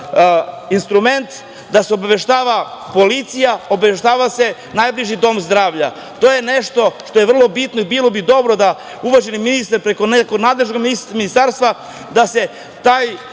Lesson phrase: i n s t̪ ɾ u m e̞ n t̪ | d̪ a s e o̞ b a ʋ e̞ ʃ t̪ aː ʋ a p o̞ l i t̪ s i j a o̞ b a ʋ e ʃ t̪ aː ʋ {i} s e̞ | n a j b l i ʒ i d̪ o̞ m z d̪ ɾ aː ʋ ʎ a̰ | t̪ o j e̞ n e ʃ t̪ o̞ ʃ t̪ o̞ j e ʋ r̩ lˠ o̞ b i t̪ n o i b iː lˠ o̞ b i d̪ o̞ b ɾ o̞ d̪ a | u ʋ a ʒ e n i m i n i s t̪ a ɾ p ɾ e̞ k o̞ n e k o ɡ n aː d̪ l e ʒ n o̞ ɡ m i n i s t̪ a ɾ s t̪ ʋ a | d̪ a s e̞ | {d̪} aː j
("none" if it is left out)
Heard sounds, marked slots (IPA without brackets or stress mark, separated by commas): a, t̪